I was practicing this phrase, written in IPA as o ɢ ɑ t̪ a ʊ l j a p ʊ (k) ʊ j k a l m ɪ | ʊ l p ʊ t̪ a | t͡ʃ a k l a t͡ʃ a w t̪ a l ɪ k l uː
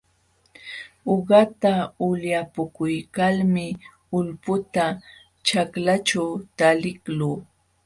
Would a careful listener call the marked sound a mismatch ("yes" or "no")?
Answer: no